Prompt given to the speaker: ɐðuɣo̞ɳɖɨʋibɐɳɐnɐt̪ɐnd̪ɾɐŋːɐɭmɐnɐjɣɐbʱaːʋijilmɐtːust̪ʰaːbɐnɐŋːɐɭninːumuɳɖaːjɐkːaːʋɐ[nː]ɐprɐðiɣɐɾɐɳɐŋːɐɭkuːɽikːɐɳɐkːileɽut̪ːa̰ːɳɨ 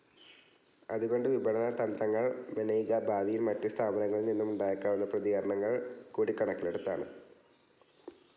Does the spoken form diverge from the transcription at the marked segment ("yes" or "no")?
no